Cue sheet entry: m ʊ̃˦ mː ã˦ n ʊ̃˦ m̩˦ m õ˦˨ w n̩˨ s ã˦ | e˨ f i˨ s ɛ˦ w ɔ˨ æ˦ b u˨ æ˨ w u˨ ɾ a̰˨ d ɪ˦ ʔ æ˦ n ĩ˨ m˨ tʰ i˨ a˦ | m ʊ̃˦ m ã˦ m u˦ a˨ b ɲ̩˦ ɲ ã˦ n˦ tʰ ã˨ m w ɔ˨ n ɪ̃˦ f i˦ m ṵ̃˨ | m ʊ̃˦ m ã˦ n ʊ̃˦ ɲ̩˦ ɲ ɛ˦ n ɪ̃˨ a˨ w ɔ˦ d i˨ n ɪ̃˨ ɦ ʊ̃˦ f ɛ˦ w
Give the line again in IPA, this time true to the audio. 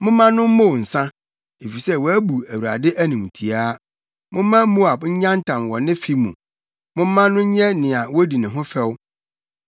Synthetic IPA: m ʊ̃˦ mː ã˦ n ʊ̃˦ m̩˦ m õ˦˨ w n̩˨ s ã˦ | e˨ f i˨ s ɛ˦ w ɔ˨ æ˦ b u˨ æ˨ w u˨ ɾ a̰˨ d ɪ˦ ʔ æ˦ n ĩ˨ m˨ tʰ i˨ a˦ | m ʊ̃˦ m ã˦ m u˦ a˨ b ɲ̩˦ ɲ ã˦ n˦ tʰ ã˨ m w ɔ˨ n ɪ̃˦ f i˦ m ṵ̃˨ | m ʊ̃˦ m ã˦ n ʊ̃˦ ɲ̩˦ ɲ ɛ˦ n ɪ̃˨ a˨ w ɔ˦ d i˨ n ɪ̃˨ ɦ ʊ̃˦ f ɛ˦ w